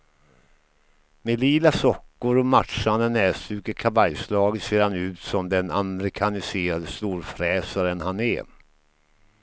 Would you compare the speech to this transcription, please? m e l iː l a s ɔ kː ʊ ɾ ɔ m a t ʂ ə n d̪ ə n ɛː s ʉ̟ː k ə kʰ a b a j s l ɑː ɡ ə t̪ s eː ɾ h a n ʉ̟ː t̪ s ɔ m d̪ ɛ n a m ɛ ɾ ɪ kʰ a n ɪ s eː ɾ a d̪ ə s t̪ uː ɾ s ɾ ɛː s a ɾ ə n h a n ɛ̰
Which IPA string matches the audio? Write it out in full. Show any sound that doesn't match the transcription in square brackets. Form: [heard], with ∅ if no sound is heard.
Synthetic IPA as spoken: m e l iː l a s ɔ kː ʊ ɾ ɔ m a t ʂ [a] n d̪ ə n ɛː s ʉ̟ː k ə kʰ a [v] a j s l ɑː ɡ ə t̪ s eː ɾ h a n ʉ̟ː t̪ s ɔ m d̪ ɛ n a m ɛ ɾ ɪ kʰ a n ɪ s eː ɾ a d̪ ə s t̪ uː ɾ [f] ɾ ɛː s a ɾ ə n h a n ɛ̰